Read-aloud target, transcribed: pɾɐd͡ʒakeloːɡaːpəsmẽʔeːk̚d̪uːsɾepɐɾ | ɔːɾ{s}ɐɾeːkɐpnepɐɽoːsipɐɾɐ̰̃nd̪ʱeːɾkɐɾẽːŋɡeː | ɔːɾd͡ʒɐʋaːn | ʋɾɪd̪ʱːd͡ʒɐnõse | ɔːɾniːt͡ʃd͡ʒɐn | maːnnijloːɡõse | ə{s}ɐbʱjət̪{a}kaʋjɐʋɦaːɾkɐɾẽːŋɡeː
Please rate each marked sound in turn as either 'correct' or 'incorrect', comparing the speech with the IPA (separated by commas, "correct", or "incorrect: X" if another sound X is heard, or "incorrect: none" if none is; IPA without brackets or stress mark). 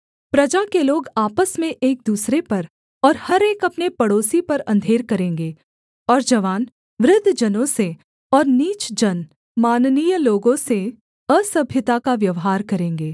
incorrect: h, correct, correct